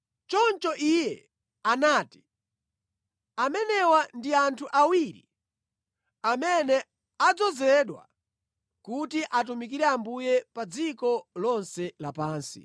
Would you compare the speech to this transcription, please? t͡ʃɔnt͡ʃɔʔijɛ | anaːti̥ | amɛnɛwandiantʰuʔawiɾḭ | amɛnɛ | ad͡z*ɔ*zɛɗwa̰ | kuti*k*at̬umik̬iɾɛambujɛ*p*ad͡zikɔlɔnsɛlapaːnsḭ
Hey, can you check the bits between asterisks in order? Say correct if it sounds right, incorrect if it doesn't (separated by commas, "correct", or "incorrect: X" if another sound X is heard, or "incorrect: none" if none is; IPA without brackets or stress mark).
correct, incorrect: ʔ, correct